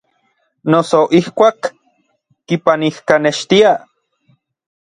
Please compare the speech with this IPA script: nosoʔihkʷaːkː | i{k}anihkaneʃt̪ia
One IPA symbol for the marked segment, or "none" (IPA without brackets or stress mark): p